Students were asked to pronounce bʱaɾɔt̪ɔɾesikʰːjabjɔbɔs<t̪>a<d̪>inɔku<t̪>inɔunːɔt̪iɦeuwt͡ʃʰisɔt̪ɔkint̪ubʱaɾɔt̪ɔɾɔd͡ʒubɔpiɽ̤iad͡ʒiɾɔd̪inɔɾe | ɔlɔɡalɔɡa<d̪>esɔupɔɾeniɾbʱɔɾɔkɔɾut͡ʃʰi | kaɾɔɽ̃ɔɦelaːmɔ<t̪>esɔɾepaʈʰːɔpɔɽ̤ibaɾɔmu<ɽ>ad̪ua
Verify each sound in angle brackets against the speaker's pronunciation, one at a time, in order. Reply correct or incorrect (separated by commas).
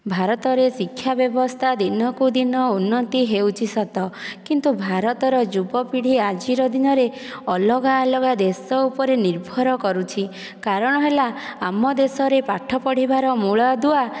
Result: incorrect, correct, incorrect, correct, incorrect, incorrect